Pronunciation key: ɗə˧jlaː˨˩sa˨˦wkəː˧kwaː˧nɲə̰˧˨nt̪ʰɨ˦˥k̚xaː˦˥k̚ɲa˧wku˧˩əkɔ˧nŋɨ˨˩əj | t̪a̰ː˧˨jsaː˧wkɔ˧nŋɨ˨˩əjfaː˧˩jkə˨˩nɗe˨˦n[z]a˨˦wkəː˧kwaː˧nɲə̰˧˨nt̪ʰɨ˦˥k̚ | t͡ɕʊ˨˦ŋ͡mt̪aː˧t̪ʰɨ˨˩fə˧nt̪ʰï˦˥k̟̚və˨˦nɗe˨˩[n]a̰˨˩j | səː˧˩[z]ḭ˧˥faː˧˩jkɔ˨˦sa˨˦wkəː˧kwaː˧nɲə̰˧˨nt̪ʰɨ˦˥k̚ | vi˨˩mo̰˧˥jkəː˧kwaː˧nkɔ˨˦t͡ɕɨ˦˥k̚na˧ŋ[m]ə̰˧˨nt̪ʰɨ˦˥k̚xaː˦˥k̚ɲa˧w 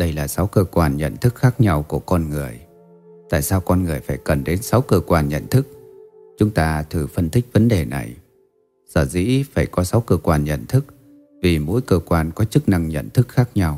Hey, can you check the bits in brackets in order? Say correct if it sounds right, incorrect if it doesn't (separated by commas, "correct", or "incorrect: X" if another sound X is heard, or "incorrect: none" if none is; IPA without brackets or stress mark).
incorrect: s, correct, correct, incorrect: ɲ